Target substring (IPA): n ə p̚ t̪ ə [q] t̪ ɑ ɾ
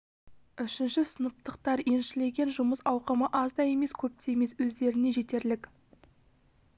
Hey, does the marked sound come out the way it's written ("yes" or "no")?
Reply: yes